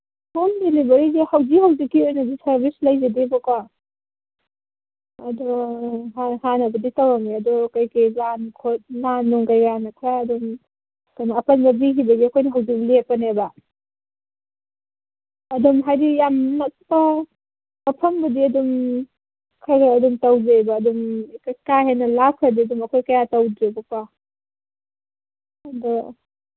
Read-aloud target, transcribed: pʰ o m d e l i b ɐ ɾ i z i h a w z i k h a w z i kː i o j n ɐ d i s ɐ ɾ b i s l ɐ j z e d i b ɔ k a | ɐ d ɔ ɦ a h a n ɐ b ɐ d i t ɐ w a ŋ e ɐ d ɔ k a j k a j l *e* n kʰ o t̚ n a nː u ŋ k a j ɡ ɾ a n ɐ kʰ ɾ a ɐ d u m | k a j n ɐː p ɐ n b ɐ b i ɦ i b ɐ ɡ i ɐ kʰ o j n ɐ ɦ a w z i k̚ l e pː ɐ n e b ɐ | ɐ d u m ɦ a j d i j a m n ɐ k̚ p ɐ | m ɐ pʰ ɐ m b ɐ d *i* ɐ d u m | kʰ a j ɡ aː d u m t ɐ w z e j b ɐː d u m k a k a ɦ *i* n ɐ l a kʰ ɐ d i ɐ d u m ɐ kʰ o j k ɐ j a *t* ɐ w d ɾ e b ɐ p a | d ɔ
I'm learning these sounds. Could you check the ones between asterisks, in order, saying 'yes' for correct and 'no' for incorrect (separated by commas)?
no, yes, no, yes